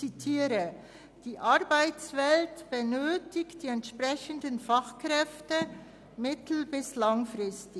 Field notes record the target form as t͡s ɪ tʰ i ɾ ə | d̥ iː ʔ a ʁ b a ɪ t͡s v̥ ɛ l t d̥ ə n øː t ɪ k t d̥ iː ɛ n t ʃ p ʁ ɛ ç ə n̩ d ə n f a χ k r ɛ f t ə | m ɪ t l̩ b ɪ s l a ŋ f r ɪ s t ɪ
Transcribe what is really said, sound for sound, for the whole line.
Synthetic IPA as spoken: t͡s i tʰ iː ɾ ə | d̥ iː ʔ a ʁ b a ɪ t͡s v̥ ɛ l t b̥ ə n øː t ɪ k t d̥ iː ɛ n t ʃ p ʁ ɛ ç ə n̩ d ə n f a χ k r ɛ f t ə | m ɪ t l̩ b ɪ s l a ŋ f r ɪ s t ɪ

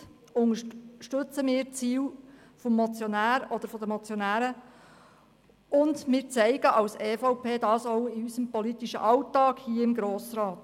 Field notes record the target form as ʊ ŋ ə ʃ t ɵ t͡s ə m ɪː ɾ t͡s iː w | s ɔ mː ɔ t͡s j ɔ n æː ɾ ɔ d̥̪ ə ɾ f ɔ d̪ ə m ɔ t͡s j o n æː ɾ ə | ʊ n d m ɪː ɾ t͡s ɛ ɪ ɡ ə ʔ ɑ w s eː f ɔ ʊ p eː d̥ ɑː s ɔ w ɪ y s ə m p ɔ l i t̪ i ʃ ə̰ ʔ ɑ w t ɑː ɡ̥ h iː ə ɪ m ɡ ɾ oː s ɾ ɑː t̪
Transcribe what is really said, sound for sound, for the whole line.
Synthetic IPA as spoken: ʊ ŋ ə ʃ t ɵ t͡s ə m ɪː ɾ t͡s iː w | f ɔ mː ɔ t͡s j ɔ n æː ɾ ɔ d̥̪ ə ɾ f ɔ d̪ ə m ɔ t͡s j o n æː ɾ ə | ʊ n d m ɪː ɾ t͡s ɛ ɪ ɡ ə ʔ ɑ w s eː f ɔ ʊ p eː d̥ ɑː s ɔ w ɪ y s ə m p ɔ l i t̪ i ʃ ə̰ ʔ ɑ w t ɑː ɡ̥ h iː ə ɪ m ɡ ɾ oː s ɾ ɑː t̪

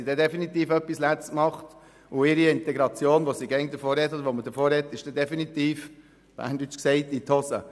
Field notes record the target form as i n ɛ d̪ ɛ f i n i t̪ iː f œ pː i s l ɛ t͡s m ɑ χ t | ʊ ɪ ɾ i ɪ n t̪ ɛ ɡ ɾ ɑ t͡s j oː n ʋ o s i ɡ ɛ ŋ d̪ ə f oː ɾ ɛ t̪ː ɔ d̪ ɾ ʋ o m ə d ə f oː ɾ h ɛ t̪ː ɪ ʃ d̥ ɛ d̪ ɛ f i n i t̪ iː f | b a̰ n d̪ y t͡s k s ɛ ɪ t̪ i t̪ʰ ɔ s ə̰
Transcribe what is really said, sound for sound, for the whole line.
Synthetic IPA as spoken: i d ɛ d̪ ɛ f i n i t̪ iː f œ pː i s l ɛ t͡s m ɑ χ t | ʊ ɪ ɾ i ɪ n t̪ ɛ ɡ ɾ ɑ t͡s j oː n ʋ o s i ɡ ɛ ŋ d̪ ə f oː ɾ ɛ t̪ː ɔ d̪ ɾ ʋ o m ə d ə f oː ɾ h ɛ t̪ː ɪ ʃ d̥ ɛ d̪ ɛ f i n i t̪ iː f | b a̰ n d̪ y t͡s k s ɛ ɪ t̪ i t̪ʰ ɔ s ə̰

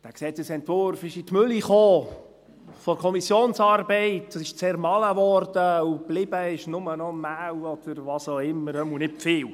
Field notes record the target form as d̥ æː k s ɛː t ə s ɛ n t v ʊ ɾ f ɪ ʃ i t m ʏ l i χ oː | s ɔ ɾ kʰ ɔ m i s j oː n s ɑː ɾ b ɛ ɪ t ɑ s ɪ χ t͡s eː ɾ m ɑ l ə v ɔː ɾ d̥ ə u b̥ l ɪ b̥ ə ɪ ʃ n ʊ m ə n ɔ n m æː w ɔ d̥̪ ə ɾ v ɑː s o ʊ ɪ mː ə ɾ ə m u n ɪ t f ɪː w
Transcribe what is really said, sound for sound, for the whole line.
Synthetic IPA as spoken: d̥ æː k s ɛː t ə s ɛ n t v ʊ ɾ f ɪ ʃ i t m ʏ l i χ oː | f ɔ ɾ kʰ ɔ m i s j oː n s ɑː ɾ b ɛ ɪ t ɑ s ɪ ʃ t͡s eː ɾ m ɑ l ə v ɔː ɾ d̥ ə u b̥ l ɪ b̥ ə ɪ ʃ n ʊ m ə n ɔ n m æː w ɔ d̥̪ ə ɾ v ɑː s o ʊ ɪ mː ə ɾ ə m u n ɪ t f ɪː w

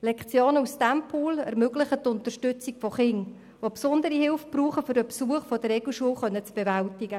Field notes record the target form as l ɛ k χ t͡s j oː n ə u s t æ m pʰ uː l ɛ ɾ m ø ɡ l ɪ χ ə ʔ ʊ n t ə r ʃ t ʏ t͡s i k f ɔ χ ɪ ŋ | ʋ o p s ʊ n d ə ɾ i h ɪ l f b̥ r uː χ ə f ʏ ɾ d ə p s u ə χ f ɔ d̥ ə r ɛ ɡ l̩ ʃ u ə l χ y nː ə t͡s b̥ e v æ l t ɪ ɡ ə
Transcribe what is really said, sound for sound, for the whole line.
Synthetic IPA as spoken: l ɛ k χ t͡s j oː n ə u s t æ m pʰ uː l ɛ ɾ m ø ɡ l ɪ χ ə t ʊ n t ə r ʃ t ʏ t͡s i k f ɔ χ ɪ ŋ | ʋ o p s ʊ n d ə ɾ i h ɪ l f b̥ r uː χ ə f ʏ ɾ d ə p s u ə χ f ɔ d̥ ə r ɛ ɡ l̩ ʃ u ə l χ œ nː ə t͡s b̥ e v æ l t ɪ ɡ ə

